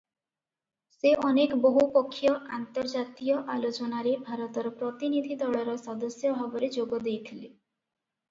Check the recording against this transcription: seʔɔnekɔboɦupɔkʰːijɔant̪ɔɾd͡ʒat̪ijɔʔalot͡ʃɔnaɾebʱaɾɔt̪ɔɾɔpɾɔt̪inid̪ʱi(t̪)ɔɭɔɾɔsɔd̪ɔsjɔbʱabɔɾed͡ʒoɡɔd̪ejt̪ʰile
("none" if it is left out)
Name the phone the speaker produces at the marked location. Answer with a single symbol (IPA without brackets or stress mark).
d̪